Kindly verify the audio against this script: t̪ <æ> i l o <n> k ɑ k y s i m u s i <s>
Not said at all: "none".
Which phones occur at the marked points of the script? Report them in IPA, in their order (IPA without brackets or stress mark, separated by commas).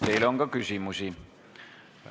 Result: e, ŋ, none